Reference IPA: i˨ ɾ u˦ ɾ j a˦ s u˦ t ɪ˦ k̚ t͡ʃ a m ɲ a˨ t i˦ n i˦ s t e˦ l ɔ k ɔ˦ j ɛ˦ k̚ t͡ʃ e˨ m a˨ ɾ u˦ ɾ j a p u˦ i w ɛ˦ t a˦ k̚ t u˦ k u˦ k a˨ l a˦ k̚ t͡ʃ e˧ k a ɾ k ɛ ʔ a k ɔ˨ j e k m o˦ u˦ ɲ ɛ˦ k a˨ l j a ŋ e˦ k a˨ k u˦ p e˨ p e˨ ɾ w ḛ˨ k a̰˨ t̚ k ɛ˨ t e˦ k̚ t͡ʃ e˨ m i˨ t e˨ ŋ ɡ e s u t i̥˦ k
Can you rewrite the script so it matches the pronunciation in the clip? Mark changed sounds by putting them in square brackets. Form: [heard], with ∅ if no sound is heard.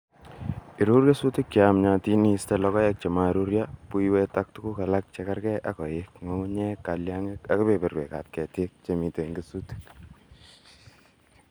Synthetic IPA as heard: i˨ ɾ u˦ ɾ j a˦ s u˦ t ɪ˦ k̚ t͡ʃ a m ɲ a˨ t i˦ n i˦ s t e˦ l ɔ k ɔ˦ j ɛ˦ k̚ t͡ʃ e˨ m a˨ ɾ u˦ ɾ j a p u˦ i w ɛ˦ t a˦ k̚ t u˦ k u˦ k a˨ l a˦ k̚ t͡ʃ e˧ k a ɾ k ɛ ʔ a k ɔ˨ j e k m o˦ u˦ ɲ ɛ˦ k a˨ l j a ŋ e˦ k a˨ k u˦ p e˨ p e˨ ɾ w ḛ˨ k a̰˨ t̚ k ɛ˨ t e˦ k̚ t͡ʃ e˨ m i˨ t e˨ ŋ ɡ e s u t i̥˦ k